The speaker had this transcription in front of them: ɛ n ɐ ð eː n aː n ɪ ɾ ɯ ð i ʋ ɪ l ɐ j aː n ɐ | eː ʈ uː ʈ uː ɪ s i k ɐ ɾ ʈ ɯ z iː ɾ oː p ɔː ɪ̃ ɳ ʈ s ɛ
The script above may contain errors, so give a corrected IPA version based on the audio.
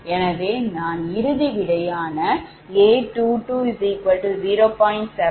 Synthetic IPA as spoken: ɛ n ɐ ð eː n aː n ɪ ɾ ɯ ð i ʋ ɪ ɽ ɐ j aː n ɐ | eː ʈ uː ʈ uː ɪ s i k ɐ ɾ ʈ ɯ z iː ɾ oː p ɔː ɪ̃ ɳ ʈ s ɛ